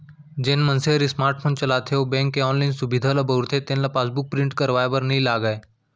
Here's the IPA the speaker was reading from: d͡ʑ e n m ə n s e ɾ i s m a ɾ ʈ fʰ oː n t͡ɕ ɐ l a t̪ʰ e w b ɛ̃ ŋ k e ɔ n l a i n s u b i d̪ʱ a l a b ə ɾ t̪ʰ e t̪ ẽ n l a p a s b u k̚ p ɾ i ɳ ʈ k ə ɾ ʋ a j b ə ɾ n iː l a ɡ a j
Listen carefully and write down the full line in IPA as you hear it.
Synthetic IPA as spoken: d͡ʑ e n m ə n s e ɾ i s m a ɾ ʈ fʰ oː n t͡ɕ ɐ l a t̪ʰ e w b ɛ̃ ŋ k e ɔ n l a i n s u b i d̪ʱ a l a b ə ɾ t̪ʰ e t̪ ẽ n l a p a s b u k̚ p ɾ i ɳ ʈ k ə ɾ ʋ a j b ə ɾ n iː l a ɡ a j